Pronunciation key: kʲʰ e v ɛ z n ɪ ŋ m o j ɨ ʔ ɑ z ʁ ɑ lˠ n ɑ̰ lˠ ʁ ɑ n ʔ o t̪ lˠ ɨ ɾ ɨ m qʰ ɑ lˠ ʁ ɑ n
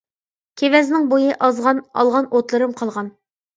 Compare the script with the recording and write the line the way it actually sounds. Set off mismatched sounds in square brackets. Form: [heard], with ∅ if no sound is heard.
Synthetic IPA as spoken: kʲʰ e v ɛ z n ɪ ŋ [b] o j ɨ ʔ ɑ z ʁ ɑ [∅] n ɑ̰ lˠ ʁ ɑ n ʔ o t̪ lˠ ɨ ɾ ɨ m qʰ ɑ lˠ ʁ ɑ n